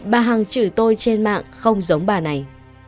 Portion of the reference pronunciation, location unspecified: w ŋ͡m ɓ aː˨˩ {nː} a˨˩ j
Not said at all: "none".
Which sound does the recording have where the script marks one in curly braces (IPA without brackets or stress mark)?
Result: n